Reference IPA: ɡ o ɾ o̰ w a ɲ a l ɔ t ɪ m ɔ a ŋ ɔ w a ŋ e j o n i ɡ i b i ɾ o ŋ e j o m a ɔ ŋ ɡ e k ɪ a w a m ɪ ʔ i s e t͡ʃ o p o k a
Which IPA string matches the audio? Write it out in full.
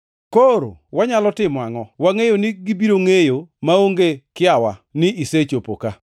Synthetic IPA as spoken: k o ɾ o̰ w a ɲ a l ɔ t ɪ m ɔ a ŋ ɔ w a ŋ e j o n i ɡ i b i ɾ o ŋ e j o m a o ŋ ɡ e k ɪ a w a n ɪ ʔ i s e t͡ʃ o p o k a

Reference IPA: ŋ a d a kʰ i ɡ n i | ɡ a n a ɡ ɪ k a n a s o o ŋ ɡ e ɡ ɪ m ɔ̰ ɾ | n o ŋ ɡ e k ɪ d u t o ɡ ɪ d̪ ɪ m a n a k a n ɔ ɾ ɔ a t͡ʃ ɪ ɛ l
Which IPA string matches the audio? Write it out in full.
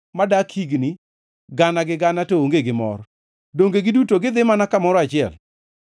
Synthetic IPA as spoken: m a d a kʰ i ɡ n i | ɡ a n a ɡ ɪ ɡ a n a t o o ŋ ɡ e ɡ ɪ m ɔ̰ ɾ | d o ŋ ɡ e ɡ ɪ d u t o ɡ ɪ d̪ ɪ m a n a k a m ɔ ɾ ɔ a t͡ʃ ɪ ɛ l

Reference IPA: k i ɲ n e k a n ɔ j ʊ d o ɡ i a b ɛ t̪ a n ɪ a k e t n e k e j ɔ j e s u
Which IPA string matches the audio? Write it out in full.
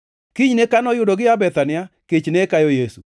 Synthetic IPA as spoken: k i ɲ n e k a n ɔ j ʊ d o ɡ ɪ a b ɛ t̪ a n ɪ a k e t͡ʃ n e k a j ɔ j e s u

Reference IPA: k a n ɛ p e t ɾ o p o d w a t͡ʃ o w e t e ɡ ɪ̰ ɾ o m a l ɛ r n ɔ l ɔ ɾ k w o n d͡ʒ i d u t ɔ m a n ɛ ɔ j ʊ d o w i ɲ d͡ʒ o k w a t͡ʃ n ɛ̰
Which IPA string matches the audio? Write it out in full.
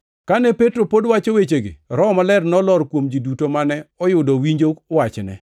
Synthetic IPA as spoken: k a n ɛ p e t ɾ o p o d w a t͡ʃ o w e t͡ʃ e ɡ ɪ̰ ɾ ɔ m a l ɛ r n ɔ l ɔ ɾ k w o m d͡ʒ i d u t o m a n ɛ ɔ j ʊ d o w i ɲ d͡ʒ o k w a t͡ʃ n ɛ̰

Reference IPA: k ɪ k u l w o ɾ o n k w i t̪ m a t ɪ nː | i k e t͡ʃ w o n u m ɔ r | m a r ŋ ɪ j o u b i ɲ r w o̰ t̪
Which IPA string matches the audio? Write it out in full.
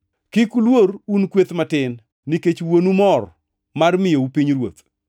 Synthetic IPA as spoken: k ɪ k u l w o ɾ u n k w e t̪ m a t ɪ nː | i k e t͡ʃ w o n u m ɔ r | m a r m ɪ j o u p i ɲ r w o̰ t̪

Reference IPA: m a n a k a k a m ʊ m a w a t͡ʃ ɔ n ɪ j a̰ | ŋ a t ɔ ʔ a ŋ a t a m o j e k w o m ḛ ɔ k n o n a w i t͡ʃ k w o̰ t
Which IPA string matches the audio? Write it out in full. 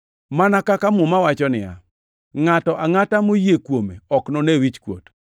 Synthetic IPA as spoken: m a n a k a k a m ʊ m a w a t͡ʃ ɔ n ɪ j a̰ | ŋ a t ɔ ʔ a ŋ a t a m o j e k w o m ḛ ɔ k n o n e w i t͡ʃ k w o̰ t

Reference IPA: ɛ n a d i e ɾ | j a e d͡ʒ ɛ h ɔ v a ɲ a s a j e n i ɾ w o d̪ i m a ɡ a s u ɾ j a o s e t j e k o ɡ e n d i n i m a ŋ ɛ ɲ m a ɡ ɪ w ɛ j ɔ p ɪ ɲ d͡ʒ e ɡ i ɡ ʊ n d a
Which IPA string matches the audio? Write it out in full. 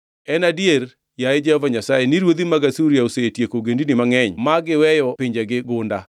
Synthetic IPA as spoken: ɛ n a d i e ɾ | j a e d͡ʒ ɛ h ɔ v a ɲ a s a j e n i ɾ w o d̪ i m a ɡ a s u ɾ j a o s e t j e k o ɡ e n d i n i m a ŋ ɛ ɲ m a ɡ ɪ w ɛ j ɔ p ɪ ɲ d͡ʒ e ɡ ɪ ɡ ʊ n d a

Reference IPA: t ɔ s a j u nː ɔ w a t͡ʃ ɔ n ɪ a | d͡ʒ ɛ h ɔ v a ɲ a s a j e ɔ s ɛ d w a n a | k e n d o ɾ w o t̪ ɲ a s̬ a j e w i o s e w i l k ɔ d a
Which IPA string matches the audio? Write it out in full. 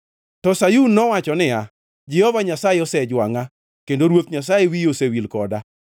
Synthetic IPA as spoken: t ɔ s a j u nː ɔ w a t͡ʃ ɔ n ɪ a | d͡ʒ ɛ h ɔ v a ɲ a s a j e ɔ s ɛ d͡ʒ w a ŋ a | k e n d o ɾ w o t̪ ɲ a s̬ a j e w i o s e w i l k ɔ d a

